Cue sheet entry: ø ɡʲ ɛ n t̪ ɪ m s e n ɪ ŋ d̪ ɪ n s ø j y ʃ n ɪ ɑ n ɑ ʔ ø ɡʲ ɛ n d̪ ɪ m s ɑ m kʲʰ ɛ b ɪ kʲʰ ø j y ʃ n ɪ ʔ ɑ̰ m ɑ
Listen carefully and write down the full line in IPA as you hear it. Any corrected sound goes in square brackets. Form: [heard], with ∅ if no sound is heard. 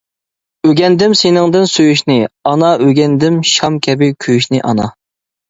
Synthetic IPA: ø ɡʲ ɛ n [d̪] ɪ m s e n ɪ ŋ d̪ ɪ n s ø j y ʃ n ɪ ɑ n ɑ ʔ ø ɡʲ ɛ n d̪ ɪ m [ʃ] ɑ m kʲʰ ɛ b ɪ kʲʰ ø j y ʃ n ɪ ʔ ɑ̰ [n] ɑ